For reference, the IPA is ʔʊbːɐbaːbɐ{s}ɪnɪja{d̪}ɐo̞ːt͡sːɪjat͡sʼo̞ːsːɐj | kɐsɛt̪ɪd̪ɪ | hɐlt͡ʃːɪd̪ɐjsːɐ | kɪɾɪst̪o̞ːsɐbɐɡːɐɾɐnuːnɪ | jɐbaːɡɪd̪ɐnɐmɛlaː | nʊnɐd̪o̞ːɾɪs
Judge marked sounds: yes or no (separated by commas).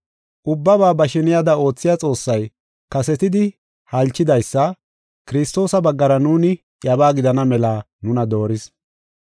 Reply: no, yes